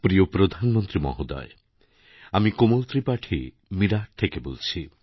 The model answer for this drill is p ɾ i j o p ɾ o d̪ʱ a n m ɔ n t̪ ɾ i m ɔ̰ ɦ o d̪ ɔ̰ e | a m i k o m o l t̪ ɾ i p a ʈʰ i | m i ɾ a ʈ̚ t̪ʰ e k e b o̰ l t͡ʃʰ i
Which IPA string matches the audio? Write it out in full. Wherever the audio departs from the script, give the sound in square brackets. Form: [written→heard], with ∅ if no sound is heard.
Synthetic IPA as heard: p ɾ i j o p ɾ o d̪ʱ a n m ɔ n t̪ ɾ i m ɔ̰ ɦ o d̪ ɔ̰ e | a m i k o m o l t̪ ɾ i p a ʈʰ i | m i ɾ a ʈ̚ t̪ʰ e k e b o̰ l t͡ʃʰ i